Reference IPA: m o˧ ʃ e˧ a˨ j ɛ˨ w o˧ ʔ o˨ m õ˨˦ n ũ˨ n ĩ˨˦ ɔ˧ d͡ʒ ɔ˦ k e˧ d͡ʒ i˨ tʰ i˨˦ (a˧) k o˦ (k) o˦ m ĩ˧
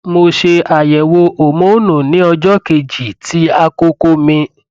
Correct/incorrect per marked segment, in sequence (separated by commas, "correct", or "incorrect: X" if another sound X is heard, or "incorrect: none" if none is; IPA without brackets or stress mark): correct, correct